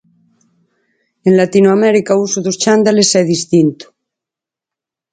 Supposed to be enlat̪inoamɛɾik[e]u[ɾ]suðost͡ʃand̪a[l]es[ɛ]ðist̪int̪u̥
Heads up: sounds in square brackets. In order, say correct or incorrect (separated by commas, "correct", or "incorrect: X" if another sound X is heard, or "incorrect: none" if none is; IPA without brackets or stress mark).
incorrect: a, incorrect: none, correct, correct